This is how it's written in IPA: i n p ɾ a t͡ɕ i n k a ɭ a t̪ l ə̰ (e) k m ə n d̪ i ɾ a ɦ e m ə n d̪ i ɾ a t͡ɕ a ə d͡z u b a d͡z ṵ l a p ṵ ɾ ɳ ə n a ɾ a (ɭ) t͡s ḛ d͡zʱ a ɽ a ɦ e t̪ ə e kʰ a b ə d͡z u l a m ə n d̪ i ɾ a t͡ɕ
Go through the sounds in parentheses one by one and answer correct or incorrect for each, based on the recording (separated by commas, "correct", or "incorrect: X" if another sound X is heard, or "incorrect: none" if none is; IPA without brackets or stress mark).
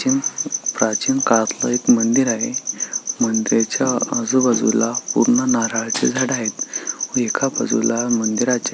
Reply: correct, correct